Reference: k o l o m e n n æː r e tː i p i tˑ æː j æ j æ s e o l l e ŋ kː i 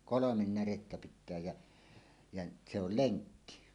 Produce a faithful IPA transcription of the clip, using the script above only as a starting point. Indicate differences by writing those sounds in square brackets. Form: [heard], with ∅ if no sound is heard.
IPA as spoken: k o l o m e n n [æ] r e tː [æ] p i tˑ æː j æ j æ s e o l l e ŋ kː i